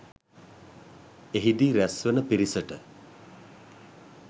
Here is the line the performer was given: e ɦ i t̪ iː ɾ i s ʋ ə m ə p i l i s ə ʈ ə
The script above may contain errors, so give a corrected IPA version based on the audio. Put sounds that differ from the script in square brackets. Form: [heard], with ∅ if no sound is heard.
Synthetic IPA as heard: e ɦ i [d̪] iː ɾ [æ] s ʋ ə [n] ə p i [ɾ] i s ə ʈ ə